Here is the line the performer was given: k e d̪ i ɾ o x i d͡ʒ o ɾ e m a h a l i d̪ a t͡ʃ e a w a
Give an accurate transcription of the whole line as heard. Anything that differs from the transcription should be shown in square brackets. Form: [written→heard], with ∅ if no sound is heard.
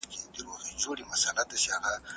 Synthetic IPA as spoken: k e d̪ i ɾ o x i d͡ʒ o [ɾ→ɽ] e m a [h→s] a l [i→a] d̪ a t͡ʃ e a [w→ɣ] a